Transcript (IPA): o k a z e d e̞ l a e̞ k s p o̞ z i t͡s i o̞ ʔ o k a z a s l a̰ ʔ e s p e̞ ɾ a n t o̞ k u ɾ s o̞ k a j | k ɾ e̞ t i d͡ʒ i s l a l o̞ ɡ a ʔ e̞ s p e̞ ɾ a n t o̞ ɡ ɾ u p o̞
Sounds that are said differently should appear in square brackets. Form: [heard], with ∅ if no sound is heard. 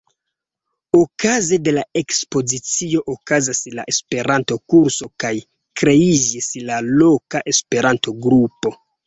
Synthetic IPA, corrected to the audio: o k a z e d e̞ l a e̞ k s p o̞ z i t͡s i o̞ ʔ o k a z a s l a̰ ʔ e s p e̞ ɾ a n t o̞ k u ɾ s o̞ k a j | k ɾ e̞ [∅] i d͡ʒ i s l a l o̞ [k] a ʔ e̞ s p e̞ ɾ a n t o̞ ɡ ɾ u p o̞